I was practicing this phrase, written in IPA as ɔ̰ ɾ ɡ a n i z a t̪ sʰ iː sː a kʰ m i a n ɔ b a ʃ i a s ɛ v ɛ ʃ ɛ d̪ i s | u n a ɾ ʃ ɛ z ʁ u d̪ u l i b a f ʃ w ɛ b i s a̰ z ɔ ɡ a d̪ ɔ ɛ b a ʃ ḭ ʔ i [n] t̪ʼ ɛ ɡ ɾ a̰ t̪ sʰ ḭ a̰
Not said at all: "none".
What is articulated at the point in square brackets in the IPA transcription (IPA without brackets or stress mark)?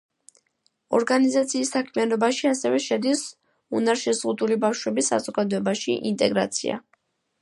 n